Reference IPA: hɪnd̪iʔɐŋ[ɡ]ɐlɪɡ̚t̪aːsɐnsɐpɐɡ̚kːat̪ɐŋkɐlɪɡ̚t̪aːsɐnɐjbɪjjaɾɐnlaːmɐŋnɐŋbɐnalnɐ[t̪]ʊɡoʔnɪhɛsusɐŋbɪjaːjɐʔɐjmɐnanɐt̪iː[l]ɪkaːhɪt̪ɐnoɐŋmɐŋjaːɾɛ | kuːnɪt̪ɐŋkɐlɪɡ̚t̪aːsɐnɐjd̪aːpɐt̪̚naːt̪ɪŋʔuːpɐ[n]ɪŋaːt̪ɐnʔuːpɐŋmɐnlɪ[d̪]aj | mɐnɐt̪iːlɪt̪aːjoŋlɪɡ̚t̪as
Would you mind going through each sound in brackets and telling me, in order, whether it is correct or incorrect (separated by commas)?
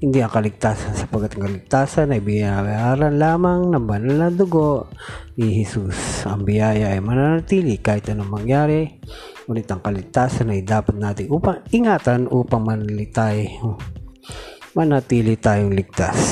incorrect, incorrect, correct, incorrect, incorrect